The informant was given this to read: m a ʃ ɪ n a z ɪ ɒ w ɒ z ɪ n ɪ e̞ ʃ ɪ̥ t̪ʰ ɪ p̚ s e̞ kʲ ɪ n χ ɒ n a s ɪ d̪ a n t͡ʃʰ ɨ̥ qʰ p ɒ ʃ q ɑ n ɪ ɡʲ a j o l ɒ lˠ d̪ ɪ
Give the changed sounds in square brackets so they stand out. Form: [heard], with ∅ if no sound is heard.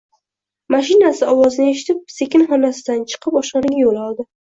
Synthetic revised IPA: m a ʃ ɪ n a [s] ɪ ɒ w ɒ z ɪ n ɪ e̞ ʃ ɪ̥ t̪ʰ ɪ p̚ s e̞ kʲ ɪ n χ ɒ n a s ɪ d̪ a n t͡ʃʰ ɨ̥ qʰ p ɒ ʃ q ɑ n ɪ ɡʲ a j o l ɒ lˠ d̪ ɪ